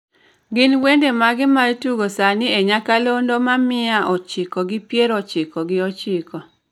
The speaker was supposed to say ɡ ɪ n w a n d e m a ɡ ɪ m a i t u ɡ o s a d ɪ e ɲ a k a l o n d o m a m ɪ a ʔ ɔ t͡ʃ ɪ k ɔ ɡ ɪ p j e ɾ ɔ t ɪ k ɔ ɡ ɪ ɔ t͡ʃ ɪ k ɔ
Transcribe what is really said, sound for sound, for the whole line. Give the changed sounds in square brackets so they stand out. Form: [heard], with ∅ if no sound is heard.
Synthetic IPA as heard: ɡ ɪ n w [e] n d e m a ɡ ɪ m a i t u ɡ o s a [n] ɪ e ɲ a k a l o n d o m a m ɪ a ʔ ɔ t͡ʃ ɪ k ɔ ɡ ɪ p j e ɾ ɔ [t͡ʃ] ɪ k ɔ ɡ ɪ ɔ t͡ʃ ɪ k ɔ